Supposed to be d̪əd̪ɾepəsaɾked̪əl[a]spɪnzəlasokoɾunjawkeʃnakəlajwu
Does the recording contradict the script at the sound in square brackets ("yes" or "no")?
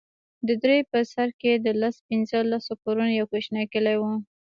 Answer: no